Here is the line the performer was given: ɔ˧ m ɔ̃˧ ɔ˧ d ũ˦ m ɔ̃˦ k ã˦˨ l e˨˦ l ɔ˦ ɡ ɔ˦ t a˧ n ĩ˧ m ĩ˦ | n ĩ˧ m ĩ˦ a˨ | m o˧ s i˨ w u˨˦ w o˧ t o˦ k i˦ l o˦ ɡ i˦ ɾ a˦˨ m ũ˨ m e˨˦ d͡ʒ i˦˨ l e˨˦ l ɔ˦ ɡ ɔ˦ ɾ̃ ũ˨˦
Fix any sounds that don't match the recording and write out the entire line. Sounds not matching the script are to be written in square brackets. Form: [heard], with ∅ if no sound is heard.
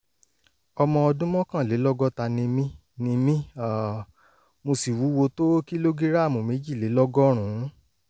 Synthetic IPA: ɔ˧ m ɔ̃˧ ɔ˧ d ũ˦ m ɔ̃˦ k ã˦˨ l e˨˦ l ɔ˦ ɡ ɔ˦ t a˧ n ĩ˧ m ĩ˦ | n ĩ˧ m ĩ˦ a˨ | m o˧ s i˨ w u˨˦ w o˧ t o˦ k i˦ l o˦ ɡ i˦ ɾ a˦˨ m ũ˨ m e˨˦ d͡ʒ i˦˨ l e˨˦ l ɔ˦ ɡ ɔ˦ ɾ̃ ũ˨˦